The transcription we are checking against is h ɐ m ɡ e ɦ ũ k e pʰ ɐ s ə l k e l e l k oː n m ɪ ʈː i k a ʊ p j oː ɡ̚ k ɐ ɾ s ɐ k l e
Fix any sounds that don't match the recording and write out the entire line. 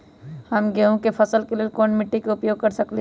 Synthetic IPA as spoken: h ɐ m ɡ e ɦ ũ k e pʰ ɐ s ə l k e l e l k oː n m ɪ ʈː i k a ʊ p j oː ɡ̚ k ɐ ɾ s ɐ k l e